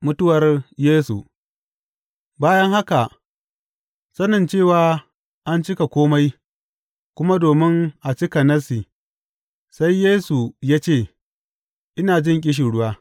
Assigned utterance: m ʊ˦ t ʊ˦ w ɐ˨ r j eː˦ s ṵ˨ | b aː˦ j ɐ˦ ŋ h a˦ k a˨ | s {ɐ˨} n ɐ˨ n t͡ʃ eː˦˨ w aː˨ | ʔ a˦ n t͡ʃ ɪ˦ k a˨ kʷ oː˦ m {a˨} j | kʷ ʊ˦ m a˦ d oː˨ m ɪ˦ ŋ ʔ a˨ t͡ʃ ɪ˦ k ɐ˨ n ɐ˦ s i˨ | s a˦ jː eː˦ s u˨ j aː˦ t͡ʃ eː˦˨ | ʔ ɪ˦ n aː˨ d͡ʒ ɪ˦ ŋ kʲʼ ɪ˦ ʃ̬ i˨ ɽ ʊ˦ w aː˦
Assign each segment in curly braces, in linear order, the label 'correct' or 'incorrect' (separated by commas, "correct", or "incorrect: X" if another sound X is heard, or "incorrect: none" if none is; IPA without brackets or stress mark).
incorrect: ɐ˦, incorrect: a˦